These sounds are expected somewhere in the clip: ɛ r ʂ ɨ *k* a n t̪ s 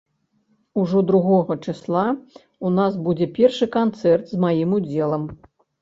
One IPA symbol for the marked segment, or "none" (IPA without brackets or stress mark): k